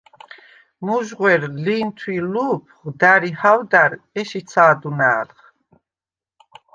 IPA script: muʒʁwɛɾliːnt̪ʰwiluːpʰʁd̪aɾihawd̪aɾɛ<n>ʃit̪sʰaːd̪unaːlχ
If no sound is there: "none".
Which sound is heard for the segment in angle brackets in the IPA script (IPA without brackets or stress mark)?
none